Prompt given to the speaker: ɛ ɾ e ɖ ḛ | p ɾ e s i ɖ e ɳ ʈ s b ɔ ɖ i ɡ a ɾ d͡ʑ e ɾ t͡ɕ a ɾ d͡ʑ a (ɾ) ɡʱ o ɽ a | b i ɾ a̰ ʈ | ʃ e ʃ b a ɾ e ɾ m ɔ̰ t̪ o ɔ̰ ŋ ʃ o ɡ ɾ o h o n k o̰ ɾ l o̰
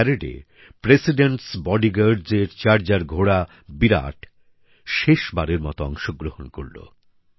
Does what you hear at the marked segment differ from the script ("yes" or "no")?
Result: no